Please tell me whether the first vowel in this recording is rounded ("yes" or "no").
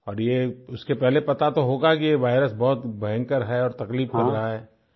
yes